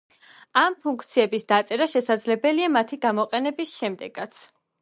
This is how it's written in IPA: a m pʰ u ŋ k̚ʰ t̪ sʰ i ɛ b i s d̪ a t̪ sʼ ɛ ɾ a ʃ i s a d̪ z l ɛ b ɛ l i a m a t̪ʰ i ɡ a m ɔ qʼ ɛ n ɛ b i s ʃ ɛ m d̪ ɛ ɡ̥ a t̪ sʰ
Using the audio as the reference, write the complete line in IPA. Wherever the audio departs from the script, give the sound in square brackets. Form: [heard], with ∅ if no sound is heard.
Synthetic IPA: a m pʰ u ŋ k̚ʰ t̪ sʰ i ɛ b i s d̪ a t̪ sʼ ɛ ɾ a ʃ [ɛ] s a d̪ z l ɛ b ɛ l i a m a t̪ʰ i ɡ a m ɔ qʼ ɛ n ɛ b i s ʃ ɛ m d̪ ɛ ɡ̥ a t̪ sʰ

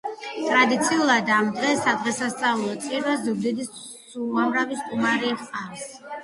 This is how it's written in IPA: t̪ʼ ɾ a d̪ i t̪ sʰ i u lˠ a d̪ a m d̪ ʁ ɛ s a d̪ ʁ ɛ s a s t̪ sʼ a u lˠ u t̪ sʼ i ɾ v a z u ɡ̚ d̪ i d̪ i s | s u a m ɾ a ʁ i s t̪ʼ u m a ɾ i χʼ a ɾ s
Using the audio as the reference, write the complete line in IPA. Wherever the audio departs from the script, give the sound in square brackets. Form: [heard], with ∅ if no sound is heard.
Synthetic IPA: t̪ʼ ɾ a d̪ i t̪ sʰ i u lˠ a d̪ a m d̪ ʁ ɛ s a d̪ ʁ ɛ s a s t̪ sʼ a u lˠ [ɔ] t̪ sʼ i ɾ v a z u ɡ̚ d̪ i d̪ i s | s u a m ɾ a [v] i s t̪ʼ u m a ɾ i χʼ a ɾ s

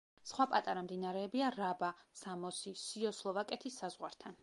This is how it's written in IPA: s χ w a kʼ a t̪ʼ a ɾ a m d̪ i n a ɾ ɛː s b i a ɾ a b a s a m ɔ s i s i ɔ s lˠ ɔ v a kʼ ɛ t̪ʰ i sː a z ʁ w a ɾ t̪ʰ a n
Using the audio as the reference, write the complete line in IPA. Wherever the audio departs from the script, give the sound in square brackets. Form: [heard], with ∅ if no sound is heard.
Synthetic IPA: s χ w a [pʼ] a t̪ʼ a ɾ a m d̪ i n a ɾ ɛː [∅] b i a ɾ a b a s a m ɔ s i s i ɔ s lˠ ɔ v a kʼ ɛ t̪ʰ i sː a z ʁ w a ɾ t̪ʰ a n

